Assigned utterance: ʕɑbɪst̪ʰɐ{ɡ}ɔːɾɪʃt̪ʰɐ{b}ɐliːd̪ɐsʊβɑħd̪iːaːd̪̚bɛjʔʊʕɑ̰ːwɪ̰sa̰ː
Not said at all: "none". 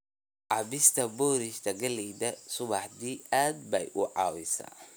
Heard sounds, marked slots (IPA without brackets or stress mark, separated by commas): b, ɡ